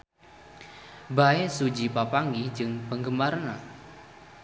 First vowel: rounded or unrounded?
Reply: unrounded